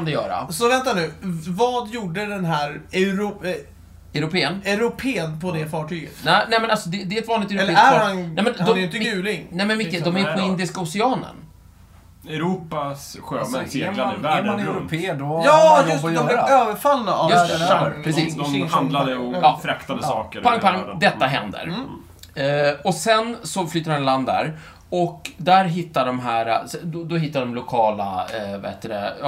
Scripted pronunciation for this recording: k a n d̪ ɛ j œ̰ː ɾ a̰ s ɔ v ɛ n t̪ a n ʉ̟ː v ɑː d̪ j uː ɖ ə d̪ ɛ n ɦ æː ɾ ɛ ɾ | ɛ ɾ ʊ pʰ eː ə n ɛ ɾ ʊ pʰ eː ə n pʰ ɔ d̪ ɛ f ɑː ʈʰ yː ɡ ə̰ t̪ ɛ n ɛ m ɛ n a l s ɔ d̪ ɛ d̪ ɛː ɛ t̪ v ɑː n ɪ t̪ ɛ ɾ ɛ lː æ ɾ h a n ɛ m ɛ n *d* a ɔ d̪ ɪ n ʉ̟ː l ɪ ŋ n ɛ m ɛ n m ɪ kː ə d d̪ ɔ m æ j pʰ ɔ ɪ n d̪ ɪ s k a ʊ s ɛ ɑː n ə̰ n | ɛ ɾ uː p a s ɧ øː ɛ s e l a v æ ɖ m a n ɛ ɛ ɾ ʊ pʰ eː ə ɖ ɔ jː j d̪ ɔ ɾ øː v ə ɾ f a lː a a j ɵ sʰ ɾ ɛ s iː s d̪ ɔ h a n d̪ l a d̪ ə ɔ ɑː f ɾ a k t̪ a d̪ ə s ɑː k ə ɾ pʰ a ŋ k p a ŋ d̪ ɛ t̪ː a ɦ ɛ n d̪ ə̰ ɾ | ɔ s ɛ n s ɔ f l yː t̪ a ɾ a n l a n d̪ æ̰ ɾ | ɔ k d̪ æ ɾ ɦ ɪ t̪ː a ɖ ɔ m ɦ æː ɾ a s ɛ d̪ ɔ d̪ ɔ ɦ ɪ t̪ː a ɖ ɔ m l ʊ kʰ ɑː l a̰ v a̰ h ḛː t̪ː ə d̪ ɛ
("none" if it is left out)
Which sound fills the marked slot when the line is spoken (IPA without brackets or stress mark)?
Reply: d